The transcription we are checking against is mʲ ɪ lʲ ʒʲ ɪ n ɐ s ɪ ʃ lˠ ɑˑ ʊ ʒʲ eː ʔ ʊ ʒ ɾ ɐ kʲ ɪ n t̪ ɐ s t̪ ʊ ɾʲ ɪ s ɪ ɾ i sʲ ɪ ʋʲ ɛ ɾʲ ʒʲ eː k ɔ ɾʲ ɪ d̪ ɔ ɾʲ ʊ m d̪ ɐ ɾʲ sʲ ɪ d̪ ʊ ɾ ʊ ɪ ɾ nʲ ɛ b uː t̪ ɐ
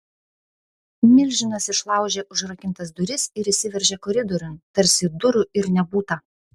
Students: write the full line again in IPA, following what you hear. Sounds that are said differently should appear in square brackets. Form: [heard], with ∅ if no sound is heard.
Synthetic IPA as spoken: mʲ ɪ lʲ ʒʲ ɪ n ɐ s ɪ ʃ lˠ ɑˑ ʊ ʒʲ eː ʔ ʊ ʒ ɾ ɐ kʲ ɪ n t̪ ɐ s [d̪] ʊ ɾʲ ɪ s ɪ ɾ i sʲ ɪ ʋʲ ɛ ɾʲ ʒʲ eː k ɔ ɾʲ ɪ d̪ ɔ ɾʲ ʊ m [t̪] ɐ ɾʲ sʲ ɪ d̪ ʊ ɾ ʊ ɪ ɾ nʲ ɛ b uː t̪ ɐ